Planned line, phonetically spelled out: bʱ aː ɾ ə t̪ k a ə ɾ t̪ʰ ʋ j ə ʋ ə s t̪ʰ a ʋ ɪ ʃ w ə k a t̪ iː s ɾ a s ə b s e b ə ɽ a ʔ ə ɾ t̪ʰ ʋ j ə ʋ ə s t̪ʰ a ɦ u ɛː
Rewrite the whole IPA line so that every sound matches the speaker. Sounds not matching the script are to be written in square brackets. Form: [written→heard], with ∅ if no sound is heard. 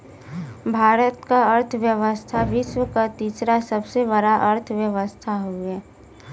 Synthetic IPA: bʱ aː ɾ ə t̪ k a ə ɾ t̪ʰ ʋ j ə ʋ ə s t̪ʰ a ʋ ɪ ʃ w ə k a t̪ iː s ɾ a s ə b s e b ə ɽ a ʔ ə ɾ t̪ʰ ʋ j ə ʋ ə s t̪ʰ a ɦ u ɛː